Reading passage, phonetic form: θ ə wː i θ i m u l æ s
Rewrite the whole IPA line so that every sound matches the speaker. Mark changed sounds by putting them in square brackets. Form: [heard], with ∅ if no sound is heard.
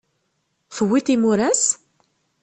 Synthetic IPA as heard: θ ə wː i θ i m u [ɾ] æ s